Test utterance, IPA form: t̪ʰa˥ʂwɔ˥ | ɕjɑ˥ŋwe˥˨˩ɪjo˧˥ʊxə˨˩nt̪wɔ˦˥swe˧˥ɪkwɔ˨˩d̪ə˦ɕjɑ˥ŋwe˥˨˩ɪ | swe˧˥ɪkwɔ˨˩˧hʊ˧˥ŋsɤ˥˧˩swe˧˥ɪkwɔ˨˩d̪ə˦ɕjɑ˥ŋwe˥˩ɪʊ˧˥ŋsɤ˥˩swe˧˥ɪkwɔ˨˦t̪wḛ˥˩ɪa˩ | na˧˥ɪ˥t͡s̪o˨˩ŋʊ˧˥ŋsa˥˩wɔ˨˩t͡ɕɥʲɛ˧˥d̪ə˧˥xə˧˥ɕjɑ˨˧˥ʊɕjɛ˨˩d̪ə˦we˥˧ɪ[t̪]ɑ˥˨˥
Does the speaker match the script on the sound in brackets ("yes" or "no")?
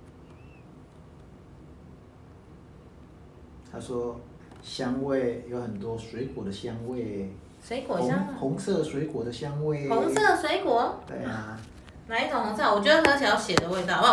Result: yes